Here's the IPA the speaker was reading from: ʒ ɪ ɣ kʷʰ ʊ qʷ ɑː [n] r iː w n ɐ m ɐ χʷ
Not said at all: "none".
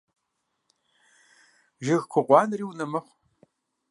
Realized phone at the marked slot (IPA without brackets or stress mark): n